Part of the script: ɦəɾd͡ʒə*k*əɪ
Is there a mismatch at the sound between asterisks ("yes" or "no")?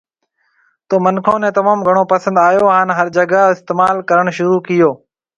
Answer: yes